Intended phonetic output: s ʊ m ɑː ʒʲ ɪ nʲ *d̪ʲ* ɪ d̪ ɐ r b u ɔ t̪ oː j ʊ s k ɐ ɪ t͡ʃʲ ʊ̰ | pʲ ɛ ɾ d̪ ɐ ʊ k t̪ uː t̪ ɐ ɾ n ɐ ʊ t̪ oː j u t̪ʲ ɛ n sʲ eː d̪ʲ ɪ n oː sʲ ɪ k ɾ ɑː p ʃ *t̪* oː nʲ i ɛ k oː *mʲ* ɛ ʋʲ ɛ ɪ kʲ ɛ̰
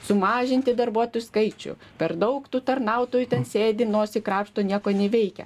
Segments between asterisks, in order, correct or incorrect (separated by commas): incorrect, correct, incorrect